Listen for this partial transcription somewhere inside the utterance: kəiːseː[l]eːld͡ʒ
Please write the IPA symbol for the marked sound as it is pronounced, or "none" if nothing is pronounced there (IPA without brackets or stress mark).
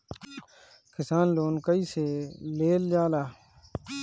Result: l